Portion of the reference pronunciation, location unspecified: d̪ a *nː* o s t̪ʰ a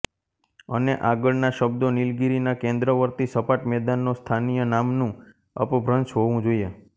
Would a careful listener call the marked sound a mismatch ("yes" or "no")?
no